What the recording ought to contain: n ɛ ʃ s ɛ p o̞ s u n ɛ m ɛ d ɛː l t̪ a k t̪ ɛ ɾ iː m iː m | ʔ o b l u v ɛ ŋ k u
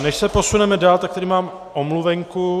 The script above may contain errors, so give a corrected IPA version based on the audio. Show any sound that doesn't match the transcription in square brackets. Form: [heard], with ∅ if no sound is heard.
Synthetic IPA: n ɛ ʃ s ɛ p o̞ s u n ɛ m ɛ d [aː] l t̪ a k t̪ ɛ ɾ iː m [aː] m | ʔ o [m] l u v ɛ ŋ k u